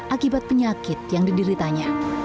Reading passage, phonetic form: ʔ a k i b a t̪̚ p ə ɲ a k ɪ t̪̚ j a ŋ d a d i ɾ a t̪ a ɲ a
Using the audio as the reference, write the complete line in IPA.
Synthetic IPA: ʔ a k i b a t̪̚ p ə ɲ a k ɪ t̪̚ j a ŋ d i d i ɾ i t̪ a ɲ a